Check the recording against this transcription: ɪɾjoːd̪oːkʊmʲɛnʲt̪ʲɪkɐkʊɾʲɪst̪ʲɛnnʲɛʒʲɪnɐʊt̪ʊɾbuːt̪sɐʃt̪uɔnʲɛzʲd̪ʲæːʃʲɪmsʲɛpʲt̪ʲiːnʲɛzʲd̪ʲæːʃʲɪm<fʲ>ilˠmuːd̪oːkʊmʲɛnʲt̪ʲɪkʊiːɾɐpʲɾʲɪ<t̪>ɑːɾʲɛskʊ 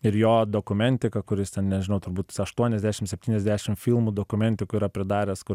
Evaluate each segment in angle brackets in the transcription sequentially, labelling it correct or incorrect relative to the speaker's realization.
correct, incorrect

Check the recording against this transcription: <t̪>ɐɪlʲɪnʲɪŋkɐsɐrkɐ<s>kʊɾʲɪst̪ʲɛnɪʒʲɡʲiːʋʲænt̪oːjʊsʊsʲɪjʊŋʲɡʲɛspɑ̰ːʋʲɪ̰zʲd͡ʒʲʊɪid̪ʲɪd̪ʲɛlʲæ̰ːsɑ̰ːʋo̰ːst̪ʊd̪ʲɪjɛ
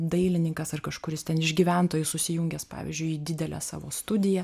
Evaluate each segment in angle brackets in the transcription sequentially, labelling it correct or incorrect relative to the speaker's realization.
incorrect, incorrect

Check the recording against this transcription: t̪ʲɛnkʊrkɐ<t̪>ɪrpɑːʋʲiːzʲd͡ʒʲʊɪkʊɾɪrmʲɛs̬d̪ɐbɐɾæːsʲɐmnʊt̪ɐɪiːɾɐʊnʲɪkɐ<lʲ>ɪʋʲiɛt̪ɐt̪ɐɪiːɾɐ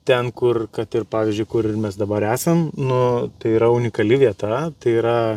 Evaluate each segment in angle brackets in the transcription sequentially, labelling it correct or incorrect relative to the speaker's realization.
correct, correct

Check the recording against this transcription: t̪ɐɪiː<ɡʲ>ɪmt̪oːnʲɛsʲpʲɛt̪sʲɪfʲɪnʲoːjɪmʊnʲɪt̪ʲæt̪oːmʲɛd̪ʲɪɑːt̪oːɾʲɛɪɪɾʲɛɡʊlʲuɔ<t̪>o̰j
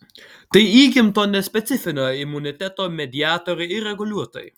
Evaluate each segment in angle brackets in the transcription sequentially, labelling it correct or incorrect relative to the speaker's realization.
correct, correct

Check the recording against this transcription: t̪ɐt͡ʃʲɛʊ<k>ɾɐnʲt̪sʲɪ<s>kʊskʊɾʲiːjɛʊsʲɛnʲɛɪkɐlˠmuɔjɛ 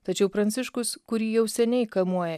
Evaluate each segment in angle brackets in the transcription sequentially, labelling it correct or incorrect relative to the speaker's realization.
incorrect, incorrect

